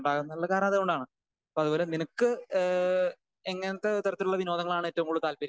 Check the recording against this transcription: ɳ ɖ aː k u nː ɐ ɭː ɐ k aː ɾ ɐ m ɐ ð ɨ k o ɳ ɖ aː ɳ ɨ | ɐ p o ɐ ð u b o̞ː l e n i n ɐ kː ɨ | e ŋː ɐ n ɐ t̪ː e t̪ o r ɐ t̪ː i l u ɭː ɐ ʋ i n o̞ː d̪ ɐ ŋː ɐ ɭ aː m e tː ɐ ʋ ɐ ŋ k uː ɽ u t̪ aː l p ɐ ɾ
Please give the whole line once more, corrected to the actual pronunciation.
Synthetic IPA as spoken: ɳ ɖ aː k u nː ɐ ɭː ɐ k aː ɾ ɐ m ɐ ð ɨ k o ɳ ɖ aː ɳ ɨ | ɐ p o ɐ ð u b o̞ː l e n i n ɐ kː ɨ | e ŋː ɐ n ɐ t̪ː e t̪ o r ɐ t̪ː i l u ɭː ɐ ʋ i n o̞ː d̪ ɐ ŋː ɐ ɭ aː ɳ e tː ɐ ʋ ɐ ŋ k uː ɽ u t̪ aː l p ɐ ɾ